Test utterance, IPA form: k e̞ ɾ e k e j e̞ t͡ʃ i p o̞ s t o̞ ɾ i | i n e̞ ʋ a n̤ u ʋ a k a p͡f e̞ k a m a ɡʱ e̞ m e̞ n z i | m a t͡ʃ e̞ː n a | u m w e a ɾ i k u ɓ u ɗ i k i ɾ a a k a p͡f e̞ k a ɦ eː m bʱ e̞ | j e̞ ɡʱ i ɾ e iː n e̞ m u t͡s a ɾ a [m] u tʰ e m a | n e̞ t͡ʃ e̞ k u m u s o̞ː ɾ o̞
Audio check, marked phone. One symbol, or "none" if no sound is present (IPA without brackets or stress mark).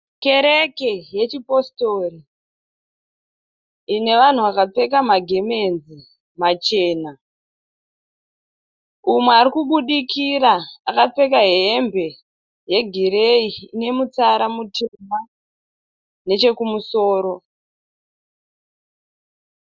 m